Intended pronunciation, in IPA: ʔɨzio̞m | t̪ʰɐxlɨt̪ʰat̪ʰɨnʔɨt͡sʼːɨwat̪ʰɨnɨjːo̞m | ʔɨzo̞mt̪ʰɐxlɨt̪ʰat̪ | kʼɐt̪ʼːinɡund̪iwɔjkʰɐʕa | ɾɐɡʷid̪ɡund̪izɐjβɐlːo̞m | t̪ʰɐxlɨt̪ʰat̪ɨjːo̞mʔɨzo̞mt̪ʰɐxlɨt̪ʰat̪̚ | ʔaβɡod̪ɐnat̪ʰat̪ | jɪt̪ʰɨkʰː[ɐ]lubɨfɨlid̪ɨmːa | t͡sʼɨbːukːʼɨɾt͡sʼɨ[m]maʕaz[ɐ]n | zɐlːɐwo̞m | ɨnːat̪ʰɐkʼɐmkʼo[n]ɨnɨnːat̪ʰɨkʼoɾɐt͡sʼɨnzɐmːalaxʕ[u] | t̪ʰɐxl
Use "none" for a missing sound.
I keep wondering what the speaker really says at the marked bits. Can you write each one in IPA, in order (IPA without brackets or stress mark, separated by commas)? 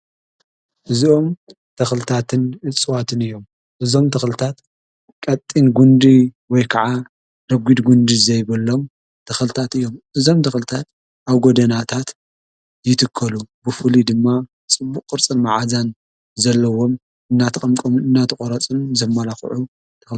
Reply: ɐ, n, a, m, u